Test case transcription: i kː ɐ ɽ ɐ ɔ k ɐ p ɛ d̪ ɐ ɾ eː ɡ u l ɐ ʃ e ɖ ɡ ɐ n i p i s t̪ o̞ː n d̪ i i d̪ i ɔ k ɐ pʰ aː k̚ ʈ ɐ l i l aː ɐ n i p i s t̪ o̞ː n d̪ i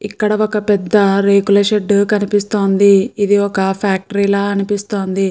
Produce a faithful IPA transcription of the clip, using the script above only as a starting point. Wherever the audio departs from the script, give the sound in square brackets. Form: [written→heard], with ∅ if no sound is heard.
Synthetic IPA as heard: i kː ɐ ɽ ɐ ɔ k ɐ p ɛ [d̪→d̪ː] ɐ ɾ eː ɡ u l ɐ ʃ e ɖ [ɡ→k] ɐ n i p i s t̪ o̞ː n d̪ i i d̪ i ɔ k ɐ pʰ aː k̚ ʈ ɐ [l→ɾ] i l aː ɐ n i p i s t̪ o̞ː n d̪ i